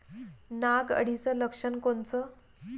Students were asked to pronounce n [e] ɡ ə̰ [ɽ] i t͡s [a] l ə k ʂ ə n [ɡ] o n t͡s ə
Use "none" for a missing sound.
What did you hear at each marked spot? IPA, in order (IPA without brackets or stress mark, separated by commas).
a, ɽ, ə, k